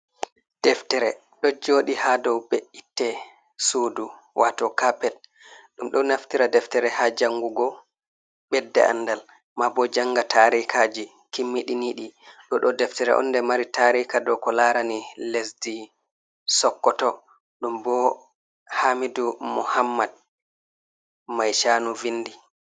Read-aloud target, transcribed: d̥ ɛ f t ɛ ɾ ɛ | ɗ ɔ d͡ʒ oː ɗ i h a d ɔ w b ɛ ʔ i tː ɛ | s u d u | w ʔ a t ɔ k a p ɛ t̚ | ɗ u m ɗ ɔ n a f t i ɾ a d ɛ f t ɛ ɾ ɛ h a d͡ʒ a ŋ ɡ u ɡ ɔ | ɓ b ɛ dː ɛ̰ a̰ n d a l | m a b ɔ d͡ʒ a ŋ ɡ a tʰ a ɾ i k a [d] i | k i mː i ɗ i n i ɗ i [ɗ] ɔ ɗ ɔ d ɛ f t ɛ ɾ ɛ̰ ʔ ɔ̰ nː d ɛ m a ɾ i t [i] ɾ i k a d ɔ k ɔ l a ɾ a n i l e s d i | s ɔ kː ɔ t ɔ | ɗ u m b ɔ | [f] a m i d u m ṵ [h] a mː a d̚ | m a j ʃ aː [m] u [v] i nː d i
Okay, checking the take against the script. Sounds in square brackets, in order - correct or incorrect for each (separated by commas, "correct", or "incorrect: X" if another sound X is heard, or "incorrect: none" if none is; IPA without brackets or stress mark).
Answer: incorrect: d͡ʒ, correct, incorrect: a, incorrect: h, correct, incorrect: n, correct